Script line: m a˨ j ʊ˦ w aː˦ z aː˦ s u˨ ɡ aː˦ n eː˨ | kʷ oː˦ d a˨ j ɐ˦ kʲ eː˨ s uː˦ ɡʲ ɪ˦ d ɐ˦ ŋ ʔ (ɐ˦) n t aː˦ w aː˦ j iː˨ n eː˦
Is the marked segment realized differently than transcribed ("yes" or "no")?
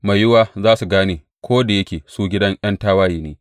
no